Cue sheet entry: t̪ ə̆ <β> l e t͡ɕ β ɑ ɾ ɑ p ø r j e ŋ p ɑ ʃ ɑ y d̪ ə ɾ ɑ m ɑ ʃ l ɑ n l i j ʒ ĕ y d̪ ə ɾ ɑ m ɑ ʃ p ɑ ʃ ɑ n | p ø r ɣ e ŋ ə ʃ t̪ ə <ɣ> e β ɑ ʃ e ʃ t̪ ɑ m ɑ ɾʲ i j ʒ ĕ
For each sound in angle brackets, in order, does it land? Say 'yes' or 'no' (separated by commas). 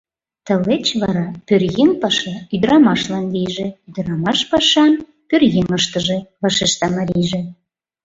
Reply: no, no